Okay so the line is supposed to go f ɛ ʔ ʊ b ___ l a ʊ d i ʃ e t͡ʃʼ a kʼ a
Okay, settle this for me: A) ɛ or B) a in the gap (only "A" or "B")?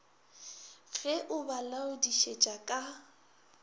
B